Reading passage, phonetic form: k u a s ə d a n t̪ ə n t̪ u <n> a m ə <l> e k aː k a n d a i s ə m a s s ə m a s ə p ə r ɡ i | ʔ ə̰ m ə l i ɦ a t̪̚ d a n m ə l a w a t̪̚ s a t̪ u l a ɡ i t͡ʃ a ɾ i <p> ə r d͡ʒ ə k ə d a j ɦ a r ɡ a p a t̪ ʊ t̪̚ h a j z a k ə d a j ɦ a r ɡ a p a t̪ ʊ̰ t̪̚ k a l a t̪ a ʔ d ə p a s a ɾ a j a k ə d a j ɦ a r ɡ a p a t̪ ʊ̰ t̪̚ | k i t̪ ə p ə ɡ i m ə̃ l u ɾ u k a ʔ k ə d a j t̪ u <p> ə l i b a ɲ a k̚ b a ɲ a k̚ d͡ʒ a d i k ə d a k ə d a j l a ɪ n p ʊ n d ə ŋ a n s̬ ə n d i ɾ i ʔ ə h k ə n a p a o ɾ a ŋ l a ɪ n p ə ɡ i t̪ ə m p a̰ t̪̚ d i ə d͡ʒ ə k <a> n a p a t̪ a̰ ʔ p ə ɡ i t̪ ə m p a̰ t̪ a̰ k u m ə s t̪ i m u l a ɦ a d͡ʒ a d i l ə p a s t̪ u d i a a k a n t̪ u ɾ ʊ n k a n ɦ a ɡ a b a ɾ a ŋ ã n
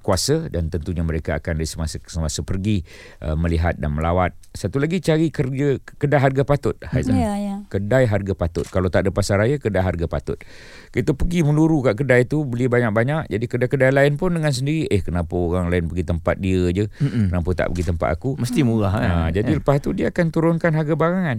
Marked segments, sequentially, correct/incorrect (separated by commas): incorrect, incorrect, incorrect, incorrect, incorrect